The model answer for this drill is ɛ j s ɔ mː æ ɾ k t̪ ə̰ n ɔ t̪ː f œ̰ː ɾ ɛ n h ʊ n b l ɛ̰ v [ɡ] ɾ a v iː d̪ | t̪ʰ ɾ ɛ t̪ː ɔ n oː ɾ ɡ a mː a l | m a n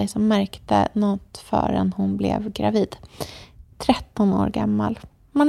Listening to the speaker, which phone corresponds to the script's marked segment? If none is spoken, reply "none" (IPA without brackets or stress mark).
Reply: ɡ